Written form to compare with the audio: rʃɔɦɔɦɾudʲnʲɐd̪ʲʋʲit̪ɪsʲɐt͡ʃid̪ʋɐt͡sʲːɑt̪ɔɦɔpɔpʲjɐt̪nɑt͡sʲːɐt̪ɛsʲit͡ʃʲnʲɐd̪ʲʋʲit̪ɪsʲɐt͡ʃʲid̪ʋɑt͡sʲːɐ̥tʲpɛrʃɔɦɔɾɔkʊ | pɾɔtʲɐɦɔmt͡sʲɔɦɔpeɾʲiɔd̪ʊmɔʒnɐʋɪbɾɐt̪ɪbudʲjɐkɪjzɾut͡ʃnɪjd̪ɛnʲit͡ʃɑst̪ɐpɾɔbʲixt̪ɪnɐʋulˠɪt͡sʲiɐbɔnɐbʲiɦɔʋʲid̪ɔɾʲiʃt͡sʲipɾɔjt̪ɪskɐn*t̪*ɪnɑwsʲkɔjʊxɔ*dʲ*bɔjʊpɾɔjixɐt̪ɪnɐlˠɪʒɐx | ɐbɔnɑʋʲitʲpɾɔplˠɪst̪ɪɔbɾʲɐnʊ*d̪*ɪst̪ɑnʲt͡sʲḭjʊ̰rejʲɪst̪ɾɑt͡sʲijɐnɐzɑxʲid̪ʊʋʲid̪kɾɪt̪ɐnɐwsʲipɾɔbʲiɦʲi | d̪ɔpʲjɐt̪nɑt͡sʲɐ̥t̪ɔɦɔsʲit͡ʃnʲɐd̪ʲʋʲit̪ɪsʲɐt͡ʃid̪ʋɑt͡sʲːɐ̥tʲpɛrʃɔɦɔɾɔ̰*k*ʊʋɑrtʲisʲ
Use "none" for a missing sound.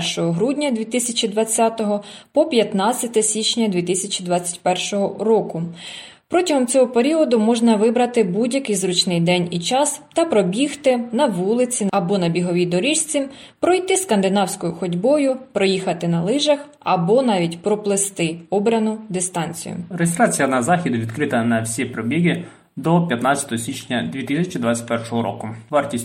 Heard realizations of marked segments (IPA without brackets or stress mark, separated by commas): d̪, dʲ, d̪, k